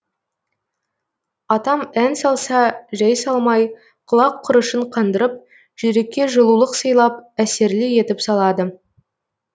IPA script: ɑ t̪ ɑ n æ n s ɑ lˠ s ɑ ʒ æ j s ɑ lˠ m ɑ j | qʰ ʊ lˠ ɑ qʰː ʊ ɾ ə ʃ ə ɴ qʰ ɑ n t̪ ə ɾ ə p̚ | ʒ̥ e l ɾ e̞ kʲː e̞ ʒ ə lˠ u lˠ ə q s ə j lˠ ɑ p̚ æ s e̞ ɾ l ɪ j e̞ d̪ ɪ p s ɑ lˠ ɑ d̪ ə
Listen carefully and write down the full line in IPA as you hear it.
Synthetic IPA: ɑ t̪ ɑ m æ n s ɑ lˠ s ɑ ʒ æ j s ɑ lˠ m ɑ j | qʰ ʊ lˠ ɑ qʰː ʊ ɾ ə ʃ ə ɴ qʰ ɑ n d̪ ə ɾ ə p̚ | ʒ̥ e ɾ e̞ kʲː e̞ ʒ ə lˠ u lˠ ə q s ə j lˠ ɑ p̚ æ s e̞ ɾ l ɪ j e̞ t̪ ɪ p s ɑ lˠ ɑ d̪ ə